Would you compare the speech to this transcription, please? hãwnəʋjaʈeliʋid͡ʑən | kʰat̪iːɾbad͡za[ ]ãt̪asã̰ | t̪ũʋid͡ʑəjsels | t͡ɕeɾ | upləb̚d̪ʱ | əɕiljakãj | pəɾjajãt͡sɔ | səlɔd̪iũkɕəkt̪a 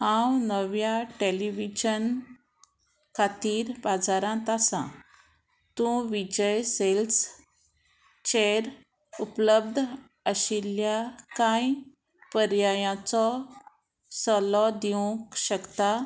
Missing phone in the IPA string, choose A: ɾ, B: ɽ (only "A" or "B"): A